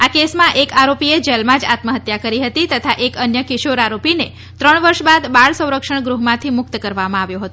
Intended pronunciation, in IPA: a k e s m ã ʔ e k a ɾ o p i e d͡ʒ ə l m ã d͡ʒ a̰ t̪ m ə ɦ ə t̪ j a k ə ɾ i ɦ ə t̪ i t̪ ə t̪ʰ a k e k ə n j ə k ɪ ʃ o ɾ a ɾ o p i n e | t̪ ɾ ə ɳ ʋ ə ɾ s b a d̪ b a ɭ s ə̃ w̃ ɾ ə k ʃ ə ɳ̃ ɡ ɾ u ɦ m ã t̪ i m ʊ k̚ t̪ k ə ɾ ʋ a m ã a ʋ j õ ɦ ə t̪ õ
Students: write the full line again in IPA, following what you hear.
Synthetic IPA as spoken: a k e s m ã ʔ e k a ɾ o p i e d͡ʒ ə l m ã d͡ʒ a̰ t̪ m ə ɦ ə t̪ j a k ə ɾ i ɦ ə t̪ i t̪ ə t̪ʰ a ʔ e k ə n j ə k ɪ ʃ o ɾ a ɾ o p i n e | t̪ ɾ ə ɳ ʋ ə ɾ ʃ b a d̪ b a ɭ s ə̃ w̃ ɾ ə k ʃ ə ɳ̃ ɡ ɾ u ɦ m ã t̪ʰ i m ʊ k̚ t̪ k ə ɾ ʋ a m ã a ʋ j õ ɦ ə t̪ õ